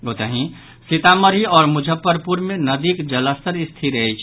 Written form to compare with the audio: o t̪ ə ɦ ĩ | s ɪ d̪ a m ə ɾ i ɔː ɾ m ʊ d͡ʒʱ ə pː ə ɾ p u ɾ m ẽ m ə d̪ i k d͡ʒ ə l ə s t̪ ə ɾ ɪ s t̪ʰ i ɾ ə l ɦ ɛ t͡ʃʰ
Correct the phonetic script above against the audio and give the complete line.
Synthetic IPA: o t̪ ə ɦ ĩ | s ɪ t̪ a m ə ɾ i ɔː ɾ m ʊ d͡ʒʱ ə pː ə ɾ p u ɾ m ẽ n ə d̪ i k d͡ʒ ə l ə s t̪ ə ɾ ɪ s t̪ʰ i ɾ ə ɦ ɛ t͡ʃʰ